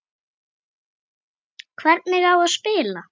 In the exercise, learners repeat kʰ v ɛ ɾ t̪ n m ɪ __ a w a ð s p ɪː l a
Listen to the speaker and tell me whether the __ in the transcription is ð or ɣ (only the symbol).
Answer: ɣ